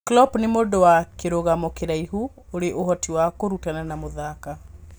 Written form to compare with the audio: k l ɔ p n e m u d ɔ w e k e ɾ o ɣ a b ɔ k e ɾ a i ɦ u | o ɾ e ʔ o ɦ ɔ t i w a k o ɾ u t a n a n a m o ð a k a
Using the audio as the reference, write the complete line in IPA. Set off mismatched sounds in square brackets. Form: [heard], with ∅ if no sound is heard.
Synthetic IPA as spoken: k l ɔ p n e m [o] d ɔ w [a] k e ɾ o ɣ a [m] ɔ k e ɾ a i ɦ u | o ɾ e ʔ o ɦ ɔ t i w a k o ɾ u t a n a n a m o ð a k a

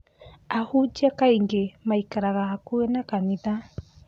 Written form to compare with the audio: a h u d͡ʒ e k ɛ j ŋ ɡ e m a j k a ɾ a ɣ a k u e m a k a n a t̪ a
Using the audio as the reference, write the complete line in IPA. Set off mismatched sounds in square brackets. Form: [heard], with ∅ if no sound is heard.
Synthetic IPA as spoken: a h u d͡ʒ [a] k [a] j ŋ ɡ e m a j k a ɾ a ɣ a k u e [n] a k a n [i] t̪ a

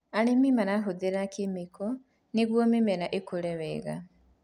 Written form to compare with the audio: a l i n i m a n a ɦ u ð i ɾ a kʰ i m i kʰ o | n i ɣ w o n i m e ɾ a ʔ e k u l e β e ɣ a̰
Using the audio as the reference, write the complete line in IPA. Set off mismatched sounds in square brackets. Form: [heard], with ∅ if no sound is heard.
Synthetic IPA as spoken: a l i [m] i m a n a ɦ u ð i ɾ a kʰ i m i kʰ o | n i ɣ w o [m] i m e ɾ a ʔ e k u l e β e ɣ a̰

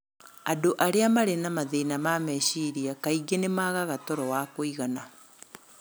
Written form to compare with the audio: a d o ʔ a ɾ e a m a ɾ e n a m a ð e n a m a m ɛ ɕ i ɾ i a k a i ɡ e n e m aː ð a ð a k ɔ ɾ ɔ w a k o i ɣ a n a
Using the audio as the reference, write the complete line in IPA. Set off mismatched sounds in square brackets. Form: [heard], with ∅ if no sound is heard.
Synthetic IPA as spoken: a d o ʔ a ɾ e a m a ɾ e n a m a ð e n a m a m ɛ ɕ i ɾ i a k a i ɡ e n e m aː [ɣ] a [ɣ] a [t] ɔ ɾ ɔ w a k o i ɣ a n a

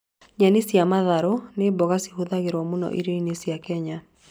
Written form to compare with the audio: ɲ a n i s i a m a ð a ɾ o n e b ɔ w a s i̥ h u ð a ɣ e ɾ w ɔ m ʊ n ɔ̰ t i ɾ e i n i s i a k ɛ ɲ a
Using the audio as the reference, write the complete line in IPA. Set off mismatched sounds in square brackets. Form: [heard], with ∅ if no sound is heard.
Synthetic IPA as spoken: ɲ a n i s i a m a ð a ɾ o n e b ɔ [ɣ] a s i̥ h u ð a ɣ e ɾ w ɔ m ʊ n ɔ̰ [ʔ] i ɾ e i n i s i a k ɛ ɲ a

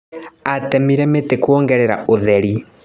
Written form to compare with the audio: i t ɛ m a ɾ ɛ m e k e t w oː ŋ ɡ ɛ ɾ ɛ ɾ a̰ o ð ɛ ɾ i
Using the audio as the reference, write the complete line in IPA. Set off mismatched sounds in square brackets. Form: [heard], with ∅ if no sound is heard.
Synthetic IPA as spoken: [a] t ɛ m [i] ɾ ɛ m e [t] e [k] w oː ŋ ɡ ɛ ɾ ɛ ɾ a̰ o ð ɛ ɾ i

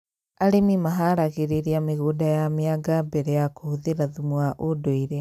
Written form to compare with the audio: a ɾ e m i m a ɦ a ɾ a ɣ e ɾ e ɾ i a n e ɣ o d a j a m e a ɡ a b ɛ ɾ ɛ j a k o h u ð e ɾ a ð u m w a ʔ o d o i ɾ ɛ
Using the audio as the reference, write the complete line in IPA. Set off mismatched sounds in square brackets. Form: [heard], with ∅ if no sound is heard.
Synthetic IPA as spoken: a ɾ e m i m a ɦ a ɾ a ɣ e ɾ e ɾ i a [m] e ɣ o d a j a m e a ɡ a b ɛ ɾ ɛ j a k o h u ð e ɾ a ð u m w a ʔ o d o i ɾ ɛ

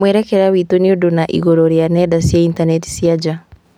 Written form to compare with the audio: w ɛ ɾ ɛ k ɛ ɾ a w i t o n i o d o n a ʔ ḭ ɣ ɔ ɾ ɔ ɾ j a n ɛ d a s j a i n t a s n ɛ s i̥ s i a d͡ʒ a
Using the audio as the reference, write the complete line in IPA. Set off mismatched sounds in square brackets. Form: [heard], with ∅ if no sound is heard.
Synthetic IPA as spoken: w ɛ ɾ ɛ k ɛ ɾ a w i t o n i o d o n a ʔ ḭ ɣ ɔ ɾ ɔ ɾ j a n ɛ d a s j a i n t a [∅] n ɛ [t] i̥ s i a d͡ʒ a

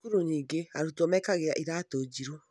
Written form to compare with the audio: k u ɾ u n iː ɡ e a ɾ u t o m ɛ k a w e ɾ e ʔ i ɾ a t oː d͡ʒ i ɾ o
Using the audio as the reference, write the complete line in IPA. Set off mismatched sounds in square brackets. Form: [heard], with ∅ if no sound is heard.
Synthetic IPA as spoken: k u ɾ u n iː ɡ e a ɾ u t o m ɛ k a [ɣ] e ɾ [a] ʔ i ɾ a t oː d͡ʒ i ɾ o

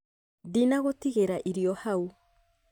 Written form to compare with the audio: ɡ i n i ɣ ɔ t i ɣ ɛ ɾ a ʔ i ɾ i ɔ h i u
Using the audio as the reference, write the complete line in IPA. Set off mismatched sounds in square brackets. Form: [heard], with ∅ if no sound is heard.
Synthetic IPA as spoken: [d] i n [a] ɣ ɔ t i ɣ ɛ ɾ a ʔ i ɾ i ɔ h [a] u

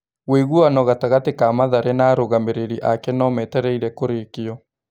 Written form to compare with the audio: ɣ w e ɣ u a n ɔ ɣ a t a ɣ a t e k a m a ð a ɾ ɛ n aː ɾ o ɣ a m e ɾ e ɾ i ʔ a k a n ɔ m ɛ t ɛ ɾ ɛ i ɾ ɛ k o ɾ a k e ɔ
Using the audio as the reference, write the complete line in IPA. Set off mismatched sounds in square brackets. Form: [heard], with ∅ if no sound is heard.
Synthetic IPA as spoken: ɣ w e ɣ u a n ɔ ɣ a t a ɣ a t e k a m a ð a ɾ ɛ n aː ɾ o ɣ a m e ɾ e ɾ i ʔ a k [ɛ] n ɔ m ɛ t ɛ ɾ ɛ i ɾ ɛ k o ɾ [e] k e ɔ

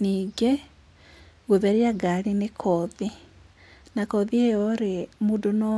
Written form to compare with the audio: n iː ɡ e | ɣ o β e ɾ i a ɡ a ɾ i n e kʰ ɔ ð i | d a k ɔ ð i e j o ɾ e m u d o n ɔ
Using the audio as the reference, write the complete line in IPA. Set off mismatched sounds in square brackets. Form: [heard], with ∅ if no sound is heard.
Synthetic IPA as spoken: n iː ɡ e | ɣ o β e ɾ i a ɡ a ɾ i n e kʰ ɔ ð i | [n] a k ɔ ð i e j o ɾ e m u d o n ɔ

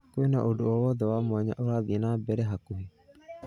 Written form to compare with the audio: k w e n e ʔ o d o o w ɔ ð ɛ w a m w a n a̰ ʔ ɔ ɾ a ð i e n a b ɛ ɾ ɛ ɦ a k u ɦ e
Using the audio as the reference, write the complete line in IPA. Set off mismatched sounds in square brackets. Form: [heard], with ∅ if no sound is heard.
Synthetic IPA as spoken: k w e n [a] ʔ o d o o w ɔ ð ɛ w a m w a [ɲ] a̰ ʔ [o] ɾ a ð i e n a b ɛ ɾ ɛ ɦ a k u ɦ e

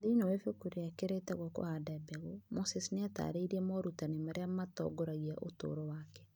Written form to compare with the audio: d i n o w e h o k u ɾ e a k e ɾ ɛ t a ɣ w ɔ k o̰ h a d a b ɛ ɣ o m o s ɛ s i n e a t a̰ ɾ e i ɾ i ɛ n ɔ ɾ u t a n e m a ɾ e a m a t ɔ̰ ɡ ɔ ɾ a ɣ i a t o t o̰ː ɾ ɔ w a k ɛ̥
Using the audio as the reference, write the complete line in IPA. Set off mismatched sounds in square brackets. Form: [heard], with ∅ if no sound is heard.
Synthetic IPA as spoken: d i n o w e [f] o k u ɾ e a k e ɾ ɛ t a ɣ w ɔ k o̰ h a d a b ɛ ɣ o m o s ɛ s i n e a t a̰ ɾ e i ɾ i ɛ [m] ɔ ɾ u t a n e m a ɾ e a m a t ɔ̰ ɡ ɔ ɾ a ɣ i a [ʔ] o t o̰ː ɾ ɔ w a k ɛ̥

